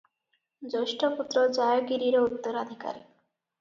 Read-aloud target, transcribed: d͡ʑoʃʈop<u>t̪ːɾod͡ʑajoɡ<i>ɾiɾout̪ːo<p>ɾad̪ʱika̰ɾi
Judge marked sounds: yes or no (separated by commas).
yes, yes, no